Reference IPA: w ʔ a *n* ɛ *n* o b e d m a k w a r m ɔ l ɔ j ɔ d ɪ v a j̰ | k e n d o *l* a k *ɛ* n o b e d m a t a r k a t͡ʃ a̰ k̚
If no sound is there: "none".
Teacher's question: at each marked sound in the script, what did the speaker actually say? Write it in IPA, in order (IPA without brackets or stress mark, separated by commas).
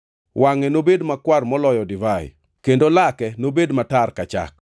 ŋ, n, l, ɛ